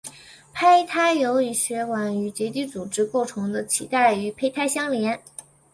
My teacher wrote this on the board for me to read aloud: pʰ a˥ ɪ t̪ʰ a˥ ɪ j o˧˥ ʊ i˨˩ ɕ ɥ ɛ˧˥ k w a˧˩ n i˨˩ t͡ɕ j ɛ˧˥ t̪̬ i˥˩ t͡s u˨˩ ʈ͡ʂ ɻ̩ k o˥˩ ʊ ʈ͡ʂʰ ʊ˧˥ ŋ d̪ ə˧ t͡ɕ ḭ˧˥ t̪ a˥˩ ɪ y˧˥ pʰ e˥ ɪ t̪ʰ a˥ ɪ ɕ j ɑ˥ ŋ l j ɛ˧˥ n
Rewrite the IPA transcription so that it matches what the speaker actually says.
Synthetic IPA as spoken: pʰ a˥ ɪ t̪ʰ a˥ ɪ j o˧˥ ʊ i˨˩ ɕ ɥ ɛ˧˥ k w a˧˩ n y˨˩ t͡ɕ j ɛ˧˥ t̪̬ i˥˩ t͡s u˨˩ ʈ͡ʂ ɻ̩ k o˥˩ ʊ ʈ͡ʂʰ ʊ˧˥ ŋ d̪ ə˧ t͡ɕʰ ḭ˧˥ t̪ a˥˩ ɪ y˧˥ pʰ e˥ ɪ t̪ʰ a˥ ɪ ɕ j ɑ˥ ŋ l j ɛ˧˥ n

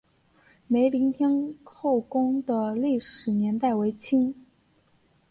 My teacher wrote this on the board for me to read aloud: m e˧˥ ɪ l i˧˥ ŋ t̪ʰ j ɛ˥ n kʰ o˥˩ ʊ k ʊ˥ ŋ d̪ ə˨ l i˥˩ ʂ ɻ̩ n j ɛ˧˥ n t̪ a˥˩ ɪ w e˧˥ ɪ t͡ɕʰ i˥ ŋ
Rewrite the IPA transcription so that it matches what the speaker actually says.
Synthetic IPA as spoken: m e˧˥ ɪ l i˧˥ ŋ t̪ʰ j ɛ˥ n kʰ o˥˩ ʊ k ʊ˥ ŋ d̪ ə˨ l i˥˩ ʂ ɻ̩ n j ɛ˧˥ n t̪ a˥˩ ɪ w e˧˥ ɪ t͡ɕʰ i˥ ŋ

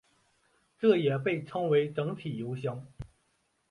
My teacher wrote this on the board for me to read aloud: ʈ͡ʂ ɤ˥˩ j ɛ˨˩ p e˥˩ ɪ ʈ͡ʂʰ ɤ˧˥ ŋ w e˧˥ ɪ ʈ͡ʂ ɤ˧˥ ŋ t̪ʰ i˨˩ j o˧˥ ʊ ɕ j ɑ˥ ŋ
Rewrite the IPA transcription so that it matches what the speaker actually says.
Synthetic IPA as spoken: ʈ͡ʂ ɤ˥˩ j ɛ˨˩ p e˥˩ ɪ ʈ͡ʂʰ ɤ˥ ŋ w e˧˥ ɪ ʈ͡ʂ ɤ˧˥ ŋ t̪ʰ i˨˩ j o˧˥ ʊ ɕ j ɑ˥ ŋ

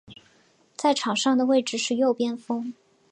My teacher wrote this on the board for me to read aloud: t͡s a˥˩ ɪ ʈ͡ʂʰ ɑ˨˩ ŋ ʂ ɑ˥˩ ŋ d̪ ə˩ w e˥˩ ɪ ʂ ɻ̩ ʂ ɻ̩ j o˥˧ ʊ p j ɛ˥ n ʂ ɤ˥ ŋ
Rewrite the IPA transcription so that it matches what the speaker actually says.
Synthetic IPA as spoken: t͡s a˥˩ ɪ ʈ͡ʂʰ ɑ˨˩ ŋ ʂ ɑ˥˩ ŋ d̪ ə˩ w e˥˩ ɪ ʈ͡ʂ ɻ̩ ʂ ɻ̩ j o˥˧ ʊ p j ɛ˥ n f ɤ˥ ŋ

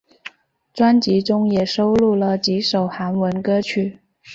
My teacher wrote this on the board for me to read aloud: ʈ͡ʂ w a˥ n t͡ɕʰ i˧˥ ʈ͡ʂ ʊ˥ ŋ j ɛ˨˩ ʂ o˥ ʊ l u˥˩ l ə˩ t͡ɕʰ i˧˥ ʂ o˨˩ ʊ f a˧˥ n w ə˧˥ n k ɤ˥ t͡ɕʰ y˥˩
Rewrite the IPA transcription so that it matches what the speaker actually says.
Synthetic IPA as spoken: ʈ͡ʂ w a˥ n t͡ɕ i˧˥ ʈ͡ʂ ʊ˥ ŋ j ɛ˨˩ ʂ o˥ ʊ l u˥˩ l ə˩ t͡ɕ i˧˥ ʂ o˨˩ ʊ x a˧˥ n w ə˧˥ n k ɤ˥ t͡ɕʰ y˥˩

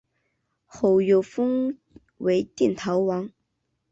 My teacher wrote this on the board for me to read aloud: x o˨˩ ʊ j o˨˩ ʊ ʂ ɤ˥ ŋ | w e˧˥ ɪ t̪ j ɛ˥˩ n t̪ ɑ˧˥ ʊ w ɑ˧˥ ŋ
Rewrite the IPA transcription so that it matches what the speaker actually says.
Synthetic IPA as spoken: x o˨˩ ʊ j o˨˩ ʊ f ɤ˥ ŋ | w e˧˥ ɪ t̪ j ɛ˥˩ n t̪ʰ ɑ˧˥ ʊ w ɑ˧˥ ŋ

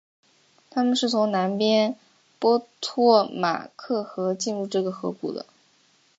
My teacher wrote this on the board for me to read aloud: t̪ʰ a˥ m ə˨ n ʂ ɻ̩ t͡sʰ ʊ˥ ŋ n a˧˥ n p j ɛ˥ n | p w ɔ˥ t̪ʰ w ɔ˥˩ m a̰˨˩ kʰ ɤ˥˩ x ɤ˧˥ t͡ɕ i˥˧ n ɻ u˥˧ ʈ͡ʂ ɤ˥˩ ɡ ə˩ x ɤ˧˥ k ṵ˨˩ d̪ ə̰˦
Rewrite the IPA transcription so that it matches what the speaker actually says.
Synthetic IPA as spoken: t̪ʰ a˥ m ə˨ n ʂ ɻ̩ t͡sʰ ʊ˧˥ ŋ n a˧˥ n p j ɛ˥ n | p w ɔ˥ t̪ʰ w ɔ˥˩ m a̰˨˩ kʰ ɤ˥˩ x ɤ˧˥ t͡ɕ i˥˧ n ɻ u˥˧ ʈ͡ʂ ɤ˥˩ ɡ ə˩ x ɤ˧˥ k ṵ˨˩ d̪ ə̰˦

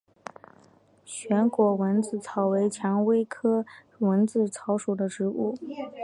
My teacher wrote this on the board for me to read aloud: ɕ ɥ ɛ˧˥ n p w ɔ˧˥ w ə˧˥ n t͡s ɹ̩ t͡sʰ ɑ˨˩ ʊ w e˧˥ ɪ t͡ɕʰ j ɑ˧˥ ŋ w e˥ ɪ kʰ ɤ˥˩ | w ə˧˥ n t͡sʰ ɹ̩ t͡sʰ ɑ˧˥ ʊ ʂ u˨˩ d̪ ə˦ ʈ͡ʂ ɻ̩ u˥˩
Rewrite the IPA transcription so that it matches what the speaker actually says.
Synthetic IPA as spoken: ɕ ɥ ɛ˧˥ n k w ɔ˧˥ w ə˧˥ n t͡s ɹ̩ t͡sʰ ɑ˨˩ ʊ w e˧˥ ɪ t͡ɕʰ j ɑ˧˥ ŋ w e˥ ɪ kʰ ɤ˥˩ | w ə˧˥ n t͡s ɹ̩ t͡sʰ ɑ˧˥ ʊ ʂ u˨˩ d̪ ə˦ ʈ͡ʂ ɻ̩ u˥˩

